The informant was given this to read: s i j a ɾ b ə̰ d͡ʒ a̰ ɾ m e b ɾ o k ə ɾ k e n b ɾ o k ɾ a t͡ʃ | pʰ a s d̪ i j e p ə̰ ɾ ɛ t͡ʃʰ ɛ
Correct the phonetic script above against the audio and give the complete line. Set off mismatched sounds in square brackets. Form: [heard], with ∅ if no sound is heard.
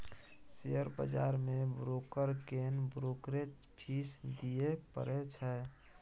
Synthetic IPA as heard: s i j [ə] ɾ b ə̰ d͡ʒ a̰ ɾ m e b ɾ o k ə ɾ k e n b ɾ o k ɾ [e] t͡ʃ | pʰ [i] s d̪ i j e p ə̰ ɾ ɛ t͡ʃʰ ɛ